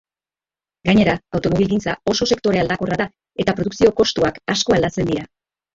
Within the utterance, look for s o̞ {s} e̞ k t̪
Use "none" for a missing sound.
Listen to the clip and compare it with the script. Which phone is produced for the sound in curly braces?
s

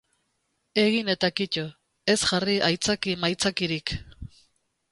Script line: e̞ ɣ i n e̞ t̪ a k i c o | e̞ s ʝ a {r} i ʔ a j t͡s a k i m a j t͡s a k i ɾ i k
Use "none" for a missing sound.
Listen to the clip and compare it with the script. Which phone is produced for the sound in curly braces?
r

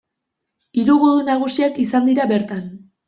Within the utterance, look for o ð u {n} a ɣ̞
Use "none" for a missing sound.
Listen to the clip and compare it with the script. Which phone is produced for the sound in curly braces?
n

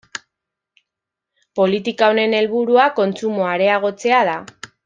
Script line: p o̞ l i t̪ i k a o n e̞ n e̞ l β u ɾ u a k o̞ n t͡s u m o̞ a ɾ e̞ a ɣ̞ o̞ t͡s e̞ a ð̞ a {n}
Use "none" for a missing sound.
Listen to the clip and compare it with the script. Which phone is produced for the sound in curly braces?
none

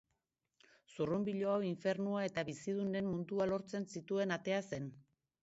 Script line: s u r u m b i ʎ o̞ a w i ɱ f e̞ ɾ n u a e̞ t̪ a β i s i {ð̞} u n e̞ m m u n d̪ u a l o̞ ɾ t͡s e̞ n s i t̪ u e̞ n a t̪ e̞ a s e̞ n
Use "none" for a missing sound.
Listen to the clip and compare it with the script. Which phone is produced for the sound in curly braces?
ð̞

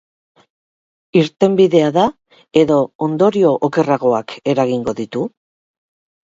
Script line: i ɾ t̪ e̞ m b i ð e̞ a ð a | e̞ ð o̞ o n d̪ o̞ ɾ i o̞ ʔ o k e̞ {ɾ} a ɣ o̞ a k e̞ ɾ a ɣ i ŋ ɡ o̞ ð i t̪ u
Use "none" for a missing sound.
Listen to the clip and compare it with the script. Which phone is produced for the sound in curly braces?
r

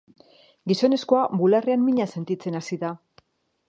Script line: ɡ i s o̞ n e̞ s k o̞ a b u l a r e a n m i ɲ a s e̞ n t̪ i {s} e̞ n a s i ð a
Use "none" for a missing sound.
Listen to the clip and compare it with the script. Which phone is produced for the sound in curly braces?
t͡s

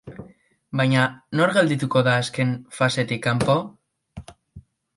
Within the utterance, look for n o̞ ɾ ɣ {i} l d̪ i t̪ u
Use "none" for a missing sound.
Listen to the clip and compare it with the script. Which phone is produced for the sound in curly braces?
e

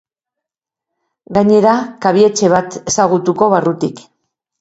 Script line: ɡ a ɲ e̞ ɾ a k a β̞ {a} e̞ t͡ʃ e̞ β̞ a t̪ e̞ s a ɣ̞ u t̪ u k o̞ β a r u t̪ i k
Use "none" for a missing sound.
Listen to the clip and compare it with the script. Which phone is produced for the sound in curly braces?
i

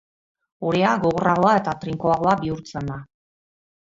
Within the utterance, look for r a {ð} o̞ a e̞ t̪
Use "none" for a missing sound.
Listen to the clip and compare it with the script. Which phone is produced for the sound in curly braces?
ɣ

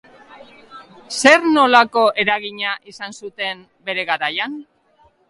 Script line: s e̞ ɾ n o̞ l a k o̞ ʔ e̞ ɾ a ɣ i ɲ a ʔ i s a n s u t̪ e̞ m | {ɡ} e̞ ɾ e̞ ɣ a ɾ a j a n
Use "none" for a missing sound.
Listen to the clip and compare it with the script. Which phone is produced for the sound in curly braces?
b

